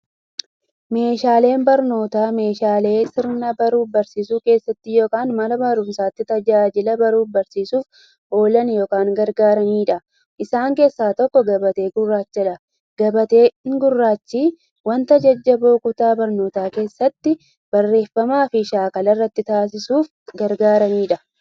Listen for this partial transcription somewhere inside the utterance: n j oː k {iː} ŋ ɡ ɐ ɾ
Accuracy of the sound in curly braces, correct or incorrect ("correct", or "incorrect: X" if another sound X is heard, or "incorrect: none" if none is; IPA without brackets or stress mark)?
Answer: incorrect: aː